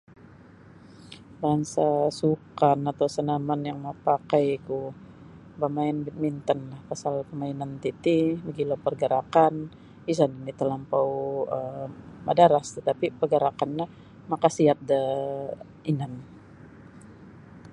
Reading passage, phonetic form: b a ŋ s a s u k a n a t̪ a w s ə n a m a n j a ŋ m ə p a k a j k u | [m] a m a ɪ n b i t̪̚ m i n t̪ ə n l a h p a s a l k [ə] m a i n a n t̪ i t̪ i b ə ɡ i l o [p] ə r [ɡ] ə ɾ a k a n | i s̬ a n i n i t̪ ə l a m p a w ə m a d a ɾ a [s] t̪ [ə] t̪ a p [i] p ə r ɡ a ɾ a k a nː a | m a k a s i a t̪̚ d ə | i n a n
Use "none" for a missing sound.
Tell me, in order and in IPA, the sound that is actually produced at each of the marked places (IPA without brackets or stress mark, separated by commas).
b, ə, p, ɡ, s, ə, i